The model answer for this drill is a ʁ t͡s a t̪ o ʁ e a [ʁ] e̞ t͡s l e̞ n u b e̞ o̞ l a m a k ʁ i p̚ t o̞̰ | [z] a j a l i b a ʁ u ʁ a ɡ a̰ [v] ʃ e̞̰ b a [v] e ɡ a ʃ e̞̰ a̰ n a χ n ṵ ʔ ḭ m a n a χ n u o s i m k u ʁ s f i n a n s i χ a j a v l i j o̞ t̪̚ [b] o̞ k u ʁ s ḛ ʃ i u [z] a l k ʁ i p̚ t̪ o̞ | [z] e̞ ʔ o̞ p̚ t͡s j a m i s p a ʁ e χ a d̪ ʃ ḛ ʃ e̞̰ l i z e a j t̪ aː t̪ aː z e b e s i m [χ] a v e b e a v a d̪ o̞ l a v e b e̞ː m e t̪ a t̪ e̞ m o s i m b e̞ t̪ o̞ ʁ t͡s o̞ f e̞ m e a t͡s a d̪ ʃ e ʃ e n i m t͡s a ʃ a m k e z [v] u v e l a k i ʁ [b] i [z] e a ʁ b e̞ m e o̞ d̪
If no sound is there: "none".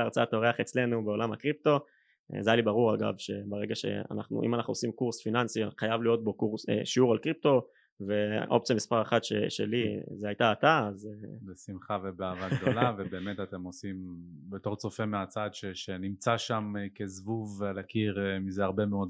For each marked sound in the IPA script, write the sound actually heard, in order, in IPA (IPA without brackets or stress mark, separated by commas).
χ, z, v, ʁ, b, ʁ, v, χ, v, m, z